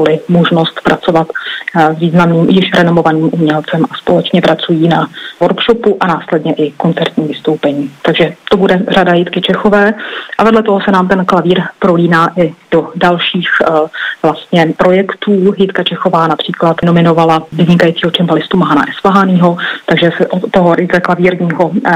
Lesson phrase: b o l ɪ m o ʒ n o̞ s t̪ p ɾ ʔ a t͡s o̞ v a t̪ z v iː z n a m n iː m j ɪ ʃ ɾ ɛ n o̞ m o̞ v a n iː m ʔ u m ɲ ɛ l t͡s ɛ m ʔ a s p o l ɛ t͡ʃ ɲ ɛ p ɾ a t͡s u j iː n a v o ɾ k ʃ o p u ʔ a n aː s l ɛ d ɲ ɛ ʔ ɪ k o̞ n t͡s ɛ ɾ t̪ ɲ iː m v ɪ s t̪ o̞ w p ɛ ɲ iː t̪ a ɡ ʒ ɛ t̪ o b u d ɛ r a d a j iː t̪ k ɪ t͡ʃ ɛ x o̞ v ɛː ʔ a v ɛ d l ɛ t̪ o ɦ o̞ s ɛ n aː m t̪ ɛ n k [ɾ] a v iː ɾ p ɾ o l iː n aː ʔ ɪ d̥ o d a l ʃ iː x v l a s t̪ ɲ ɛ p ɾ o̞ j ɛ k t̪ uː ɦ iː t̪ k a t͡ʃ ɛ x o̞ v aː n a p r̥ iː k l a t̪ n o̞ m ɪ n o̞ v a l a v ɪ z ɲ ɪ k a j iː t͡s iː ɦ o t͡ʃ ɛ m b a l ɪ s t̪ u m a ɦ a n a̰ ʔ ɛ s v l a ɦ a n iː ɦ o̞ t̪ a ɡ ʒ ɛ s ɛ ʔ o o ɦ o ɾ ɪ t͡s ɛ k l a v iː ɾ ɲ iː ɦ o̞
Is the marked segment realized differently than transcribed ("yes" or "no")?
yes